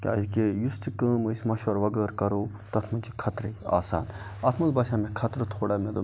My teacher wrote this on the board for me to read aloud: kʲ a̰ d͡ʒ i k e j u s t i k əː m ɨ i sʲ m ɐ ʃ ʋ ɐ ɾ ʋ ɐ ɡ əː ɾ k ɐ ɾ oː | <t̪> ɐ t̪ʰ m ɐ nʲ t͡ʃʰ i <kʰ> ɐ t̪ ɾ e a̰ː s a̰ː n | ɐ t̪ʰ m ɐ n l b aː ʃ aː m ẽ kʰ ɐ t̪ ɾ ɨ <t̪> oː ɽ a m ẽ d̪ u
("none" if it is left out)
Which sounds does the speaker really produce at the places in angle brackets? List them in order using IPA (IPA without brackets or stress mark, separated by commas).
t̪, kʰ, t̪ʰ